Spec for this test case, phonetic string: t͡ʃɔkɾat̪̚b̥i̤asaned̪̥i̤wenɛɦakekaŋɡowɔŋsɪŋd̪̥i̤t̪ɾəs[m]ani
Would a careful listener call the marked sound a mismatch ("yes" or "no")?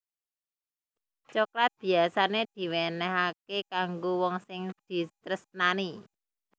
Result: yes